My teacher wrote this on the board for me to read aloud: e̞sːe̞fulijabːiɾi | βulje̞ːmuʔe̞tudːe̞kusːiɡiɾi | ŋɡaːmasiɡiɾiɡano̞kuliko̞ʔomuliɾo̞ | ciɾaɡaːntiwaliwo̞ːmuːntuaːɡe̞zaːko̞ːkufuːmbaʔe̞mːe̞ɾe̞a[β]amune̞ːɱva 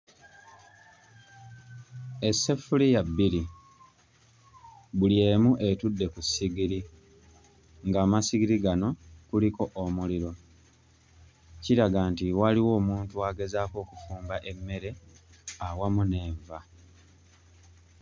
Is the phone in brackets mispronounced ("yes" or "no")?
yes